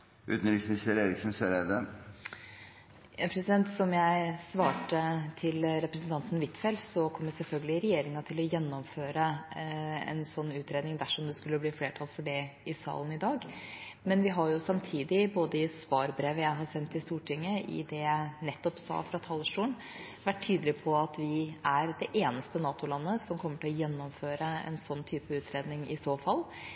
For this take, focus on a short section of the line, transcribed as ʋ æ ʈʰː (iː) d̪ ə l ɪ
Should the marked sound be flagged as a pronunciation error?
yes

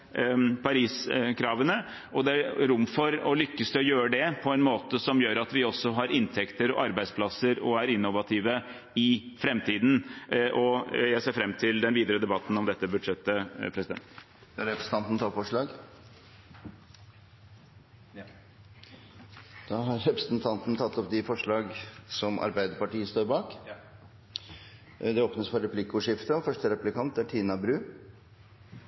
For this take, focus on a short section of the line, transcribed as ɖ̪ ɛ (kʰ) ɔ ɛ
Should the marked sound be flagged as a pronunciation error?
yes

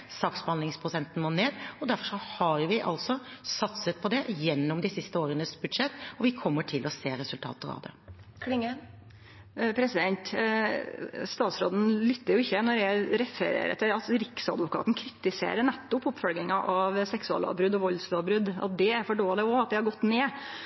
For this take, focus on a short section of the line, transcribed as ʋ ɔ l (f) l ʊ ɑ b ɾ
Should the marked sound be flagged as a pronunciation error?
yes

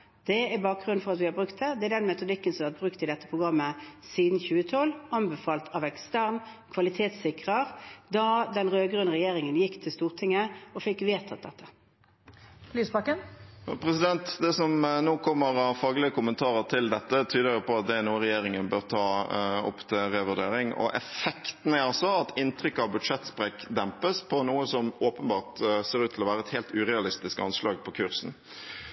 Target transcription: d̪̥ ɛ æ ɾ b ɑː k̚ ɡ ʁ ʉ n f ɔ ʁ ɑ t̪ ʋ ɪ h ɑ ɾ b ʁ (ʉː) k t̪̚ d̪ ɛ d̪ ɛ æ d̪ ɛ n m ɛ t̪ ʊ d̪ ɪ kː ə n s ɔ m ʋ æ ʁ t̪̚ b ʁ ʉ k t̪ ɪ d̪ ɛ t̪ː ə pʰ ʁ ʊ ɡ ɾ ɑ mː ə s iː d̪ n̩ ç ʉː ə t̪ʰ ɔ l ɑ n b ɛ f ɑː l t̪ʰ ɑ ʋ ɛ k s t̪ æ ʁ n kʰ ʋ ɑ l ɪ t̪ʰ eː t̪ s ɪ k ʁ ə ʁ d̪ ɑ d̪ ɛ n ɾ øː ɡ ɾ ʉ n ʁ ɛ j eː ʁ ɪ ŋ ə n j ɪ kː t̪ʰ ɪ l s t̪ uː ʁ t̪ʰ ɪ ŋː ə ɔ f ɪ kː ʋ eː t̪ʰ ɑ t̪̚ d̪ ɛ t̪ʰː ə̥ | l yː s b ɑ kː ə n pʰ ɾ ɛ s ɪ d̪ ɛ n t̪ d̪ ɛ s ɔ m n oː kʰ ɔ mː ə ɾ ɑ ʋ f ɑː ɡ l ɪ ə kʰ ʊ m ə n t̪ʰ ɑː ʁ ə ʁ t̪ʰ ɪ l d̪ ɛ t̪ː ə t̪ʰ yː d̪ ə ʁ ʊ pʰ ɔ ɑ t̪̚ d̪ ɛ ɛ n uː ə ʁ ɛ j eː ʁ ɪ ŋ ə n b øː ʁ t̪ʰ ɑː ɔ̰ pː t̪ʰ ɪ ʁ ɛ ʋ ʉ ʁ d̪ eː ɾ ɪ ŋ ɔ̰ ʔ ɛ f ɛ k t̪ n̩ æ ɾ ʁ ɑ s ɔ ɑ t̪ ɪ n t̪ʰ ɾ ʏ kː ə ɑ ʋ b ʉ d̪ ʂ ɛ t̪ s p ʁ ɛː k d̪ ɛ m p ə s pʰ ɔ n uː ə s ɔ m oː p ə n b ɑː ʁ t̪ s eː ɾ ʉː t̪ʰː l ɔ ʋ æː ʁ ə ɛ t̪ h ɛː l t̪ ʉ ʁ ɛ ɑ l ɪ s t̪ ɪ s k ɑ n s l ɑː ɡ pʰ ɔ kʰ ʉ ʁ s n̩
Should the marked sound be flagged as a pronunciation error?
yes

